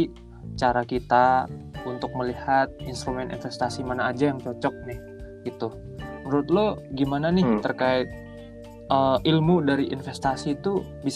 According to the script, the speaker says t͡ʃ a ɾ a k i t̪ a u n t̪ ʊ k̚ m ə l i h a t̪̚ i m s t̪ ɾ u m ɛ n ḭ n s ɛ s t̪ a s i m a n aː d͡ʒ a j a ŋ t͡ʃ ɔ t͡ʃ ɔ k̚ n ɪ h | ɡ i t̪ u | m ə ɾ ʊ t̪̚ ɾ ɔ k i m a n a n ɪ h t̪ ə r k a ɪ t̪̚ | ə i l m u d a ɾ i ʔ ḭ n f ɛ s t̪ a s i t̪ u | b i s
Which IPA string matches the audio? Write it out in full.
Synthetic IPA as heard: t͡ʃ a ɾ a k i t̪ a u n t̪ ʊ k̚ m ə l i h a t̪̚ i n s t̪ ɾ u m ɛ n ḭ n f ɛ s t̪ a s i m a n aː d͡ʒ a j a ŋ t͡ʃ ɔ t͡ʃ ɔ k̚ n ɪ h | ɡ i t̪ u | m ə ɾ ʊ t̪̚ l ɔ ɡ i m a n a n ɪ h t̪ ə r k a ɪ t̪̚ | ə i l m u d a ɾ i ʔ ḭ n f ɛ s t̪ a s i t̪ u | b i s